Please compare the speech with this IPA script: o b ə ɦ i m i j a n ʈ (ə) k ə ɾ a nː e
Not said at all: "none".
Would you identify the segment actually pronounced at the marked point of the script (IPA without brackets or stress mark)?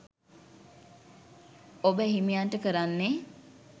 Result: ə